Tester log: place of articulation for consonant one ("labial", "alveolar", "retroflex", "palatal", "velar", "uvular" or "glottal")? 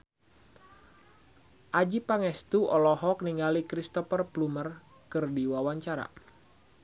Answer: glottal